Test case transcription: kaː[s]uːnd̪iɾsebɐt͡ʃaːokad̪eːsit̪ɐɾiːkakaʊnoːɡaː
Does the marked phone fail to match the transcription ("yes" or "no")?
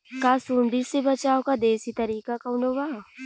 no